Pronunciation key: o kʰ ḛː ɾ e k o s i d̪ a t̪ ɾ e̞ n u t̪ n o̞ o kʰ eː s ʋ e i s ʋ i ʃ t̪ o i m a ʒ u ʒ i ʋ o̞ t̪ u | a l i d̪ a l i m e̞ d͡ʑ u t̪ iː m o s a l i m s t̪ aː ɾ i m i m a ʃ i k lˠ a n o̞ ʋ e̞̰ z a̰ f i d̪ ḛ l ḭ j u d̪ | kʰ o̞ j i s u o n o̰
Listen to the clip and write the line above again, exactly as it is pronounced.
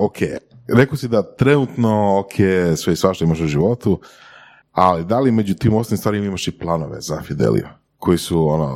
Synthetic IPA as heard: o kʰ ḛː ɾ e k o s i d̪ a t̪ ɾ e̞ n u t̪ n o̞ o kʰ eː s ʋ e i s ʋ a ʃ t̪ o i m a ʃ u ʒ i ʋ o̞ t̪ u | a l i d̪ a l i m e̞ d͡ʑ u t̪ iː m o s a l i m s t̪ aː ɾ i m i m a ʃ i p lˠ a n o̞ ʋ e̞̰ z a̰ f i d̪ ḛ l ḭ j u | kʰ o̞ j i s u o n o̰